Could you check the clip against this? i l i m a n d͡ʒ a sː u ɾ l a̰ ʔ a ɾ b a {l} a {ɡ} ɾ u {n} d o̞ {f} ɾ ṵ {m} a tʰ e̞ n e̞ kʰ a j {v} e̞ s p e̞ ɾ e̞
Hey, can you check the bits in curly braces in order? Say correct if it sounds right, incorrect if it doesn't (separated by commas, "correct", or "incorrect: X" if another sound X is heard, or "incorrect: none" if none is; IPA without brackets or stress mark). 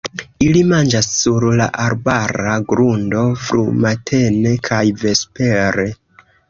incorrect: ɾ, correct, correct, correct, correct, correct